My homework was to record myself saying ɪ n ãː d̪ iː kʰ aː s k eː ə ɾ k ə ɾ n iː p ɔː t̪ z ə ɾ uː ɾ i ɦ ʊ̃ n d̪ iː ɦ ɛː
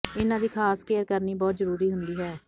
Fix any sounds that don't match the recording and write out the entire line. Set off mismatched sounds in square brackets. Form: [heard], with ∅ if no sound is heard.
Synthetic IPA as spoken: ɪ n ãː d̪ iː kʰ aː s k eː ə ɾ k ə ɾ n iː [b] ɔː t̪ z ə ɾ uː ɾ [iː] ɦ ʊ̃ n d̪ iː ɦ ɛː